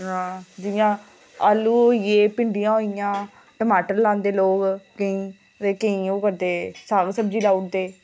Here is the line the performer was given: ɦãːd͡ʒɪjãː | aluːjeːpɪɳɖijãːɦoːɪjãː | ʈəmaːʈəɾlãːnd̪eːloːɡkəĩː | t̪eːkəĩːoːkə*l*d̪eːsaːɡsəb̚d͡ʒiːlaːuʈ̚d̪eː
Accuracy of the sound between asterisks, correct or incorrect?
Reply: incorrect